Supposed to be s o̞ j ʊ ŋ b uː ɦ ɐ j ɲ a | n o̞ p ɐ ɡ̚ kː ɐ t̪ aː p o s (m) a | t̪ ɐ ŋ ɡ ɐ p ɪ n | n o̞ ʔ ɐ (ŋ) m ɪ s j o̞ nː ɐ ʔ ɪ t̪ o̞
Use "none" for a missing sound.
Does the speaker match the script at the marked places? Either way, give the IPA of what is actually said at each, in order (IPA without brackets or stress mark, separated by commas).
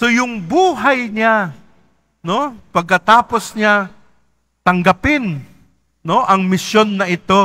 ɲ, ŋ